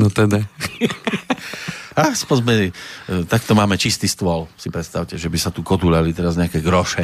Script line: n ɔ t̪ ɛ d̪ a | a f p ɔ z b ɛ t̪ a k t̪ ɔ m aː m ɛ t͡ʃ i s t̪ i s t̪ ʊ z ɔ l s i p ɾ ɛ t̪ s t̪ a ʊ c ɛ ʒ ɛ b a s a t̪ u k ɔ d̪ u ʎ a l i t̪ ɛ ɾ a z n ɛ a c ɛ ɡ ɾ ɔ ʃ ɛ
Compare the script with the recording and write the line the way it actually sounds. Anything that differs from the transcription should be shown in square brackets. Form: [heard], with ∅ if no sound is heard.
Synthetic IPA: n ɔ t̪ ɛ d̪ a | a [s] p ɔ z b ɛ t̪ a k t̪ ɔ m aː m ɛ t͡ʃ i s t̪ i s t̪ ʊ [∅] ɔ l s i p ɾ ɛ t̪ s t̪ a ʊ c ɛ ʒ ɛ b [i] s a t̪ u k ɔ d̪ u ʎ a l i t̪ ɛ ɾ a z [ɲ] ɛ a [k] ɛ ɡ ɾ ɔ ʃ ɛ